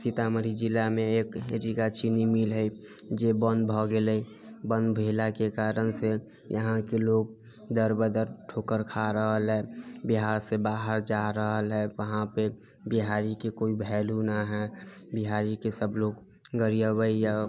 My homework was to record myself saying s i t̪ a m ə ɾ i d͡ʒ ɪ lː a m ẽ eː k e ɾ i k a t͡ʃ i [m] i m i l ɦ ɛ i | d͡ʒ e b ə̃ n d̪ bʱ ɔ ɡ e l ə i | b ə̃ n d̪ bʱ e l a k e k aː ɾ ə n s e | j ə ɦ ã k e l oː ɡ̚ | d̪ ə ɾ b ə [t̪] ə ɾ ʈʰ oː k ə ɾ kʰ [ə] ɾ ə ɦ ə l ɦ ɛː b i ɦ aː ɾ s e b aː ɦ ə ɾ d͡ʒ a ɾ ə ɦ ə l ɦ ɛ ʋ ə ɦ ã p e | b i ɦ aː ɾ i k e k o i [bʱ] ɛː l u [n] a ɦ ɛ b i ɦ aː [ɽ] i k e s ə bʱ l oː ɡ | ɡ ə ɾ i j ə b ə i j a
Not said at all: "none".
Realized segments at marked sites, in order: n, d̪, a, bʱ, n, ɾ

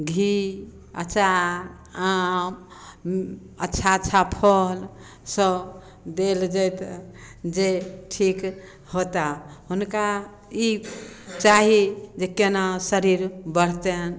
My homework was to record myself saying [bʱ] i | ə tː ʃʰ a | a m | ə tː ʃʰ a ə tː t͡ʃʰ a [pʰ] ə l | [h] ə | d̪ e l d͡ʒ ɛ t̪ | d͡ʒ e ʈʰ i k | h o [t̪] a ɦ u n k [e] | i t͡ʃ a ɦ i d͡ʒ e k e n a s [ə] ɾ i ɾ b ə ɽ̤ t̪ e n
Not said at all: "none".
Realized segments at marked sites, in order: ɡʱ, pʰ, s, t̪, a, ə

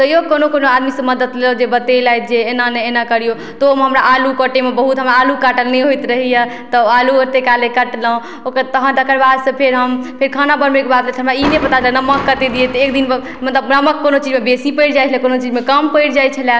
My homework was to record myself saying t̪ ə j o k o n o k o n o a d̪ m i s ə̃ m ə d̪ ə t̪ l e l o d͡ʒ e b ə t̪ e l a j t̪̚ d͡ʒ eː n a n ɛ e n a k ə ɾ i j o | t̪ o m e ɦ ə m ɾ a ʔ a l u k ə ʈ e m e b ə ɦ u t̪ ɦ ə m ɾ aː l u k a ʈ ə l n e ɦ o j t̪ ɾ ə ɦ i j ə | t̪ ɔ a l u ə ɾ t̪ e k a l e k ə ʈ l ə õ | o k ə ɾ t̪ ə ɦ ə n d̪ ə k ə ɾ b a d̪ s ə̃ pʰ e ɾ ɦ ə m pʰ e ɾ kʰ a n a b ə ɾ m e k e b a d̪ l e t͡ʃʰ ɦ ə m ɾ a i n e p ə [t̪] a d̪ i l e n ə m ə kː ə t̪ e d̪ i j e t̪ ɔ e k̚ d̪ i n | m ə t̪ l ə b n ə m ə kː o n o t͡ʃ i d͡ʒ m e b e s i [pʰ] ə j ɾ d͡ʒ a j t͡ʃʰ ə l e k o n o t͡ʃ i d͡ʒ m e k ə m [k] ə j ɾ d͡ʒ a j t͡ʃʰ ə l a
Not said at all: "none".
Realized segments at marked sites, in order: t̪, p, p

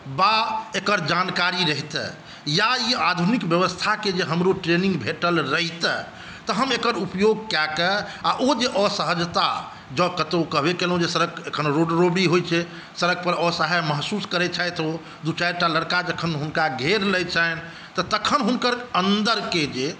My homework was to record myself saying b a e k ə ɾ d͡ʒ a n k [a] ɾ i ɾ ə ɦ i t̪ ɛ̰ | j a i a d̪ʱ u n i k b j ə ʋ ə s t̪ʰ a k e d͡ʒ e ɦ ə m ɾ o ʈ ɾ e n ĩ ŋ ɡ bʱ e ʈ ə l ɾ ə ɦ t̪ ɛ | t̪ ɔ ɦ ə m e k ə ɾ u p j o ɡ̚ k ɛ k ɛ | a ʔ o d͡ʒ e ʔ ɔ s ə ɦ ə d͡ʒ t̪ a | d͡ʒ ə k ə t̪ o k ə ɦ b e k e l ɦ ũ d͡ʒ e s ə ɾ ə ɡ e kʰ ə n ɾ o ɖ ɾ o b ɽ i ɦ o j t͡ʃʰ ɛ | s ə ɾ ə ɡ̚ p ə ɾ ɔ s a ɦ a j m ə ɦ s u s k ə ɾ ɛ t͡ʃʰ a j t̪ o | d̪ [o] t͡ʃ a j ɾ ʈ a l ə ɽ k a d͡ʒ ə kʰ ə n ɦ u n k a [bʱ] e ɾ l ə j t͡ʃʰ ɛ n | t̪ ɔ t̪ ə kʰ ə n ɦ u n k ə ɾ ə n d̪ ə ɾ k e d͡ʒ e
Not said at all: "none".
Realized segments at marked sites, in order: a, u, ɡʱ

